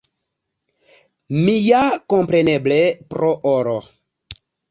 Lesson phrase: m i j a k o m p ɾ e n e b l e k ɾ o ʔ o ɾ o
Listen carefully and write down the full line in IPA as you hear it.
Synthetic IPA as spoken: m i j a k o m p ɾ e n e b l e p ɾ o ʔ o ɾ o